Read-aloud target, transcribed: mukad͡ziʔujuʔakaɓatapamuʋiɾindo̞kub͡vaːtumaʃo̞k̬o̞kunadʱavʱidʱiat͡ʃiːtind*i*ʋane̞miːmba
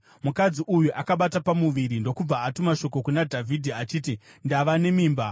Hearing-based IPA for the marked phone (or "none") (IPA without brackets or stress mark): a